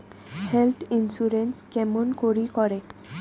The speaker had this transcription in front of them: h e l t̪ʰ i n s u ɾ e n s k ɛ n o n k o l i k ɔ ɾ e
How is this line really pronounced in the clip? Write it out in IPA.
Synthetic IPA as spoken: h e l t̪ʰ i n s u ɾ e n s k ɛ m o n k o ɾ i k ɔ ɾ e